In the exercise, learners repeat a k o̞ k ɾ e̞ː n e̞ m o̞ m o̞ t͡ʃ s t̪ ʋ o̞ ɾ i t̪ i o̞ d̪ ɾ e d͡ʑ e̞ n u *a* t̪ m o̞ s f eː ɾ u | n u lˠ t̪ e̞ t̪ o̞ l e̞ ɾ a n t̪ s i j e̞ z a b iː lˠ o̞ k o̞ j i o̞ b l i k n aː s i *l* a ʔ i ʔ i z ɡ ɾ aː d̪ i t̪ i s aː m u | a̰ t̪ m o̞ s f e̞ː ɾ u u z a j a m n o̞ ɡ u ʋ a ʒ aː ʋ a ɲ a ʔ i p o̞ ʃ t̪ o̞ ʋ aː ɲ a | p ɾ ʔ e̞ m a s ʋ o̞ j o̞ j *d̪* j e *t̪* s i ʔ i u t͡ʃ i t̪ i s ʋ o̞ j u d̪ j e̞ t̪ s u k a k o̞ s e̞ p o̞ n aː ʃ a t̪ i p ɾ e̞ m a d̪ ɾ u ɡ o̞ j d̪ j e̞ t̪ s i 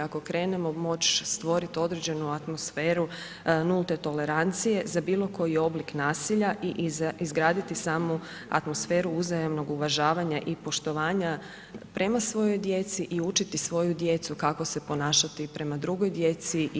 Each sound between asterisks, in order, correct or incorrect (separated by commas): correct, incorrect, correct, correct